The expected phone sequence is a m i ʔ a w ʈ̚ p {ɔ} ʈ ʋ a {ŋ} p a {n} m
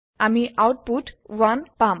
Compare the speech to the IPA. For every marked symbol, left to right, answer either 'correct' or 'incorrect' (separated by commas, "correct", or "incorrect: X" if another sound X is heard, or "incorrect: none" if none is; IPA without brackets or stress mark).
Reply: incorrect: u, incorrect: n, incorrect: none